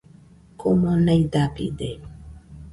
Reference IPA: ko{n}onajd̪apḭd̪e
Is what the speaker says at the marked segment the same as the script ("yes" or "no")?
no